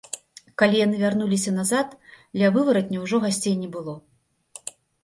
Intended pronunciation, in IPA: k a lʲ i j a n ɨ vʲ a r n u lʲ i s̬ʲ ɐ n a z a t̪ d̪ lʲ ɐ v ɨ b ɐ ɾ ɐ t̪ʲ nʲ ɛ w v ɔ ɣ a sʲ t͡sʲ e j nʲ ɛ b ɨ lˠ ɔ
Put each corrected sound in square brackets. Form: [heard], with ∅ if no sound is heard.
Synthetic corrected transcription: k a lʲ i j a n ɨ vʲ a r n u lʲ i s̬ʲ ɐ n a z a t̪ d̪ lʲ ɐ v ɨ [v] ɐ ɾ ɐ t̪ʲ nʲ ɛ w [ʐ] ɔ ɣ a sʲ t͡sʲ e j nʲ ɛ b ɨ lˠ ɔ